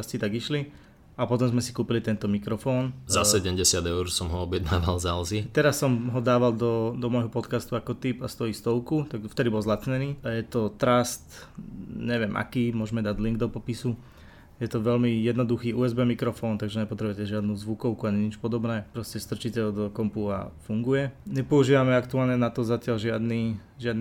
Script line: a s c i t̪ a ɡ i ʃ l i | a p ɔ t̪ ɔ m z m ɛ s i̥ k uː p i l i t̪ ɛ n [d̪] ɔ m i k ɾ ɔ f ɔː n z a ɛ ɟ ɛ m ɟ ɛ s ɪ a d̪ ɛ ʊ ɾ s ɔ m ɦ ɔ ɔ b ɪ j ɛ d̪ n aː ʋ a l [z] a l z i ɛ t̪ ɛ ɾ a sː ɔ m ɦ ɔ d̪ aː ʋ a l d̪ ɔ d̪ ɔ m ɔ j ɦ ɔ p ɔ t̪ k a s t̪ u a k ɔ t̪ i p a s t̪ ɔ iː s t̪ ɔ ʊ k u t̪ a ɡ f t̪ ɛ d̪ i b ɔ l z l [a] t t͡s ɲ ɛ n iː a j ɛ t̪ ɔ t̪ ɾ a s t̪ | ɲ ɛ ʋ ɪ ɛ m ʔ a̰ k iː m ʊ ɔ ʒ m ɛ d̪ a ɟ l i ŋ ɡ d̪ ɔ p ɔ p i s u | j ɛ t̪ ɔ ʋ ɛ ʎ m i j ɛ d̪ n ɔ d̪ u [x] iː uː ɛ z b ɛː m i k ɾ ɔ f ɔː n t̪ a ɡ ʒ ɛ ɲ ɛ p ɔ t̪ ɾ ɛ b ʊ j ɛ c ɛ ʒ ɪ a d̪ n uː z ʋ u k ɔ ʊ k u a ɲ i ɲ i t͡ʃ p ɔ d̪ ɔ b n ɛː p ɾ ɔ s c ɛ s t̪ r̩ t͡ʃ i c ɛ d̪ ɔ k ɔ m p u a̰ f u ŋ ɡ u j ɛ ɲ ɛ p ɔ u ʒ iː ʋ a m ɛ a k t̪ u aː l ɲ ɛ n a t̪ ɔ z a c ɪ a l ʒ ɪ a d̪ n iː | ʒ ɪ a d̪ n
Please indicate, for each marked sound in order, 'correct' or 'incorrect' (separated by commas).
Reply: incorrect, correct, correct, correct